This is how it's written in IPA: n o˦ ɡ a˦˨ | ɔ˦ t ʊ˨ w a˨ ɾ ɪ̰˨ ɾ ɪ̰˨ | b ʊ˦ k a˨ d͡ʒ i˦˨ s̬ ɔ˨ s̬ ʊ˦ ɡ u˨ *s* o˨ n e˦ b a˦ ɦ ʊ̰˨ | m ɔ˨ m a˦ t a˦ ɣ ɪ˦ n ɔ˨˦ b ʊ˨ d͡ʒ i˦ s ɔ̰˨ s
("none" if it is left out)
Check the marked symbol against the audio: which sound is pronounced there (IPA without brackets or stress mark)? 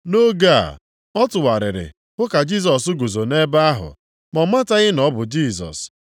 z